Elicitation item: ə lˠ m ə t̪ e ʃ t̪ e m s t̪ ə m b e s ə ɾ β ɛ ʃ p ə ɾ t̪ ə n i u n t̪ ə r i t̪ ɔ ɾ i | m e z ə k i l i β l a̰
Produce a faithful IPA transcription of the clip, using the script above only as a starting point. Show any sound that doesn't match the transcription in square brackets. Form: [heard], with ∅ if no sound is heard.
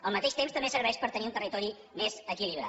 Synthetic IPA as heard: ə lˠ m ə t̪ e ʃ t̪ e m s t̪ ə m b e s ə ɾ β ɛ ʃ p ə ɾ t̪ ə n i u n t̪ ə r i t̪ ɔ ɾ i | m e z ə k i l i β [ɾ] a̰